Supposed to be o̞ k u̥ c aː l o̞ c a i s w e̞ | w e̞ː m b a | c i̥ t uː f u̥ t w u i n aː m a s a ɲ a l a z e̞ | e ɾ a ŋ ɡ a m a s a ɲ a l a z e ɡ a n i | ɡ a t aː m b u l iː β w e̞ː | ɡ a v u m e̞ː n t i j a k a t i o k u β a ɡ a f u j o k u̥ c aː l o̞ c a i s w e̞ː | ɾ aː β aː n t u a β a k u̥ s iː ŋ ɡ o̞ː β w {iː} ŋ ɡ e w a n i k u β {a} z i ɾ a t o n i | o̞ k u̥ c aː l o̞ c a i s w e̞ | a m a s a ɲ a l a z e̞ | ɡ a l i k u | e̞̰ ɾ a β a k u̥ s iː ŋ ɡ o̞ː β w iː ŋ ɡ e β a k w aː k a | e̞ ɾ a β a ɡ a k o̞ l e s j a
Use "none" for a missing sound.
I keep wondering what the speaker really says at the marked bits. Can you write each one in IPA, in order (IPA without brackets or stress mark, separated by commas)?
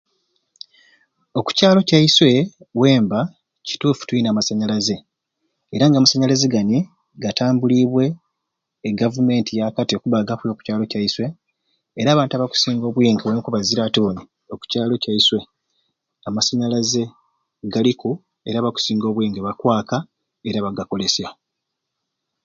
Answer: iː, a